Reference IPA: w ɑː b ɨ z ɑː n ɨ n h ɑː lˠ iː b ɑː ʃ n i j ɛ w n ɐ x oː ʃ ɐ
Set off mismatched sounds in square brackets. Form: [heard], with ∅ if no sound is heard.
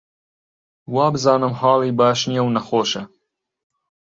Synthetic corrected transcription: w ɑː b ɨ z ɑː n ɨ [m] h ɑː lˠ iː b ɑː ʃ n i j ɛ w n ɐ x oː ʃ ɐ